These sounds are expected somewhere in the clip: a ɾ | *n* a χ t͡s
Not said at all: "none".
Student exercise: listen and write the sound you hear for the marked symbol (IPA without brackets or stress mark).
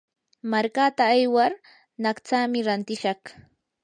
n